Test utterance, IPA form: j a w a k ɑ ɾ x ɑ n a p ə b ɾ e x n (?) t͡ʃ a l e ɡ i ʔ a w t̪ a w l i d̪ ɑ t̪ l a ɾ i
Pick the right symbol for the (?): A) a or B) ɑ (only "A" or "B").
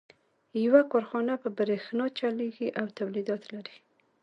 B